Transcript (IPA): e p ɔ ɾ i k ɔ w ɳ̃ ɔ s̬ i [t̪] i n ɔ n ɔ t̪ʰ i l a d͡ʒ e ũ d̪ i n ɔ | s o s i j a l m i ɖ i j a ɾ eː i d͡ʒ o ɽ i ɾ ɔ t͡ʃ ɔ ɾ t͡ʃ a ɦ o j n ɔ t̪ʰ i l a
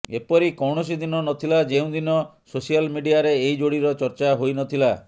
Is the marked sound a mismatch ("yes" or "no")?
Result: yes